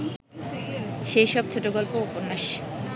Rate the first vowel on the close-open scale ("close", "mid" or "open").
mid